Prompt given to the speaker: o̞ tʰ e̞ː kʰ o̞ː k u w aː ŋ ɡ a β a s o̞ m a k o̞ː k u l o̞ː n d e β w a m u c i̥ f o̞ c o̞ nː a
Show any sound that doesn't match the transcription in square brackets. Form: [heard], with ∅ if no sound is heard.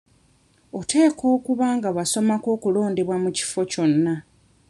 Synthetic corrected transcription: o̞ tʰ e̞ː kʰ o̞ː k u [β] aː ŋ ɡ a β a s o̞ m a k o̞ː k u l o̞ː n d e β w a m u c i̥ f o̞ c o̞ nː a